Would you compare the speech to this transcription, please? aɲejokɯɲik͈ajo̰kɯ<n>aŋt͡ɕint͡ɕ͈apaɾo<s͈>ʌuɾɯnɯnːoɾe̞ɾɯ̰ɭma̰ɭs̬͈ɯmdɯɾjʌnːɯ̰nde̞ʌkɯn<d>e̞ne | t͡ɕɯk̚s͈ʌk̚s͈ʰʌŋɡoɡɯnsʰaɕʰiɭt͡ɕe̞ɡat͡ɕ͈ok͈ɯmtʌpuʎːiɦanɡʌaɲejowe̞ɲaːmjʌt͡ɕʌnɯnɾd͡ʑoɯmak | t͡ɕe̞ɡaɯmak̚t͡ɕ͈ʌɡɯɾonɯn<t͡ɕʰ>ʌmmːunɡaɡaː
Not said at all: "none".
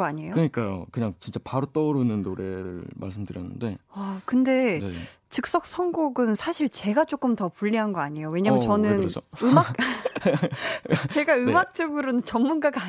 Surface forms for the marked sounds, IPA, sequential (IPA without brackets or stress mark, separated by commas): ɲ, t͈, d, t͡ɕ